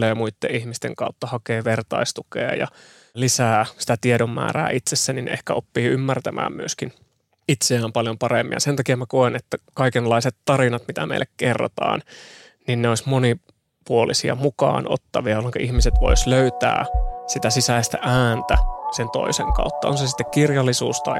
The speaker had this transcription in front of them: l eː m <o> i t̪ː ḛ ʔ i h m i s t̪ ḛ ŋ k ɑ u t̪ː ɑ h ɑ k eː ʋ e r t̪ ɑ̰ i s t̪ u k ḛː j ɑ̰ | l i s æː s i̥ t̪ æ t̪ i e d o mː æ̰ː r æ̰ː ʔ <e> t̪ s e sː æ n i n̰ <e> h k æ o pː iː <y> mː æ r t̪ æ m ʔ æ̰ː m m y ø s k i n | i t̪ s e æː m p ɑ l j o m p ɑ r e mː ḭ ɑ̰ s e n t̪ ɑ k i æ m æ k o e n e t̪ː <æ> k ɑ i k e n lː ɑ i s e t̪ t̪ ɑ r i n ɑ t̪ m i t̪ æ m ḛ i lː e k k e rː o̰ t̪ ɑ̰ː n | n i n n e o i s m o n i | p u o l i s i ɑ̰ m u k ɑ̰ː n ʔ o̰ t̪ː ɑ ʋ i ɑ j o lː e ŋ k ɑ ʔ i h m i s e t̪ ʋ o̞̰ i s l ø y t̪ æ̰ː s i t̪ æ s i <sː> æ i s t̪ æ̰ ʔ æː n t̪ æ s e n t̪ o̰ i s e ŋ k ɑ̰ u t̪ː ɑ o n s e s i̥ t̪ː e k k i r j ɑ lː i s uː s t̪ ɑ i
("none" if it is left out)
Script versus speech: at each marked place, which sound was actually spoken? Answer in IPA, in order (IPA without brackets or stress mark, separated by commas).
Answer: u, i, e, y, æ, s